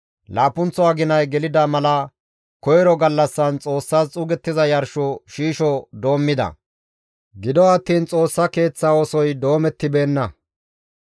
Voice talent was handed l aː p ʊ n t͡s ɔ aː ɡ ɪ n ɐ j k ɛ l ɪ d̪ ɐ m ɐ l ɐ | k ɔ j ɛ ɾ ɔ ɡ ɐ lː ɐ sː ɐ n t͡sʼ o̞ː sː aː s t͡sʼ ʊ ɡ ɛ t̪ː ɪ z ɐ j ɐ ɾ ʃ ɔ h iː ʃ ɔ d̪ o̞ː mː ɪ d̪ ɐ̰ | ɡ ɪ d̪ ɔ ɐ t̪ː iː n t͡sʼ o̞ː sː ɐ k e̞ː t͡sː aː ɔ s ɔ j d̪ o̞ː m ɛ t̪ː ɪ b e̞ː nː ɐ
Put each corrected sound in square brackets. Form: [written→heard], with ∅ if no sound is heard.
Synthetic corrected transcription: l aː p ʊ n t͡s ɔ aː ɡ ɪ n ɐ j [k→ɡ] ɛ l ɪ d̪ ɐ m ɐ l ɐ | k ɔ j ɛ ɾ ɔ ɡ ɐ lː ɐ sː ɐ n t͡sʼ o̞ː sː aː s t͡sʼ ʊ ɡ ɛ t̪ː ɪ z ɐ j ɐ ɾ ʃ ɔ [h→ʃ] iː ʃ ɔ d̪ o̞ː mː ɪ d̪ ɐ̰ | ɡ ɪ d̪ ɔ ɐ t̪ː iː n t͡sʼ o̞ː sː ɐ k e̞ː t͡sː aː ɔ s ɔ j d̪ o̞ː m ɛ t̪ː ɪ b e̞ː nː ɐ